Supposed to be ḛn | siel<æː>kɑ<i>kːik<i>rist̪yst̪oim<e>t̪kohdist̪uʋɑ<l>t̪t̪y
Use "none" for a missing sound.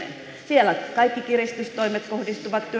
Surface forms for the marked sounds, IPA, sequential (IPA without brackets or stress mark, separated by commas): æ, i, i, e, none